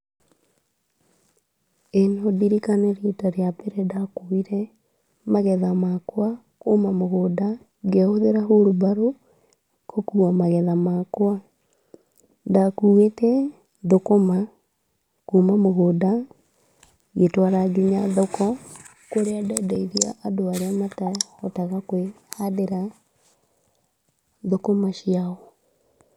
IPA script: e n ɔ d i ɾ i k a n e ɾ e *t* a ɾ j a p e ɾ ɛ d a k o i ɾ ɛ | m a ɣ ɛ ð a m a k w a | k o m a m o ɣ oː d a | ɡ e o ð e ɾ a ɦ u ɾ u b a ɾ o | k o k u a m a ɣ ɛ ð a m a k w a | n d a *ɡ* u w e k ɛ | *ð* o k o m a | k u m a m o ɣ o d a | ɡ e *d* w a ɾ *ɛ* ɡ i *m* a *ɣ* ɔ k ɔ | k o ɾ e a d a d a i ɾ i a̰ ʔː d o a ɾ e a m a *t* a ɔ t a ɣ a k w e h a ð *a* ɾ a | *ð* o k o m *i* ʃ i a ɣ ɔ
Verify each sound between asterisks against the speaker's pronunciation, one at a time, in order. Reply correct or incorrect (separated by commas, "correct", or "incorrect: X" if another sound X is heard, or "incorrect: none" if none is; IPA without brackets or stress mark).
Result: correct, incorrect: k, correct, incorrect: t, incorrect: a, incorrect: ɲ, incorrect: ð, correct, incorrect: e, correct, incorrect: a